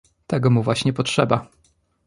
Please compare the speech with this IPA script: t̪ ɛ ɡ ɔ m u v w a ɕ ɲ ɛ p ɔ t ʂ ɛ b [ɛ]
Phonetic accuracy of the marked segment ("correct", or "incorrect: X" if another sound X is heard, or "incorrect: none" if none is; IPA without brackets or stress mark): incorrect: a